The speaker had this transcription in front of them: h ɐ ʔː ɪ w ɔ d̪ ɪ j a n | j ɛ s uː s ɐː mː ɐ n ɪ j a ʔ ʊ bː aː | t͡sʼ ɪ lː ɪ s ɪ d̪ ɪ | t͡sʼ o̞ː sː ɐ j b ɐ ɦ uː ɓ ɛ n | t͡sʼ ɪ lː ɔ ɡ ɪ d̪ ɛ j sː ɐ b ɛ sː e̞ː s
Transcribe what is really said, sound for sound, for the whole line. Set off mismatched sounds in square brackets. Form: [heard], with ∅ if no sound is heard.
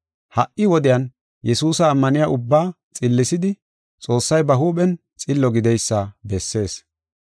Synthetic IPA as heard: h ɐ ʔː ɪ w ɔ d̪ ɪ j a n | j ɛ s uː s ɐː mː ɐ n ɪ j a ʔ ʊ bː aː | t͡sʼ ɪ lː ɪ s ɪ d̪ ɪ | t͡sʼ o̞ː sː ɐ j b ɐ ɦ uː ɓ ɛ n | t͡sʼ ɪ lː ɔ ɡ ɪ d̪ ɛ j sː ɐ b ɛ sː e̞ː s